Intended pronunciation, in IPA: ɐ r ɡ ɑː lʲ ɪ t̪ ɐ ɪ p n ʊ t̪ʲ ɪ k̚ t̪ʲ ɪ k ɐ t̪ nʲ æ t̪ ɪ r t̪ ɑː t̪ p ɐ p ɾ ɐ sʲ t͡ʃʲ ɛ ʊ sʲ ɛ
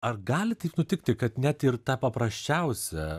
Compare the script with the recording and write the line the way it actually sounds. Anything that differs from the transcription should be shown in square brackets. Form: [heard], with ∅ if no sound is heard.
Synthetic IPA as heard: ɐ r ɡ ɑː lʲ ɪ t̪ ɐ ɪ p n ʊ t̪ʲ ɪ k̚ t̪ʲ ɪ k ɐ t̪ nʲ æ t̪ ɪ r t̪ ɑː [∅] p ɐ p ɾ ɐ sʲ t͡ʃʲ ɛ ʊ sʲ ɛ